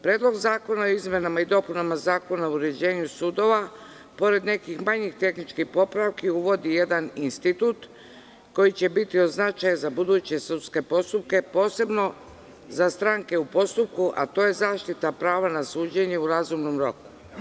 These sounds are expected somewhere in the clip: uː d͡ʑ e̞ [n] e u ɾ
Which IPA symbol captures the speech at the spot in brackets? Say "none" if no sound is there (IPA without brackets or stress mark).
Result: ɲ